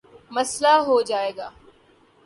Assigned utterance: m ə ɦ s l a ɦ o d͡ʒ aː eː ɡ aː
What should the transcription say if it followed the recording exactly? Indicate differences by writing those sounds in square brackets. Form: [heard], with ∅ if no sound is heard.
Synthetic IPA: m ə [∅] s l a ɦ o d͡ʒ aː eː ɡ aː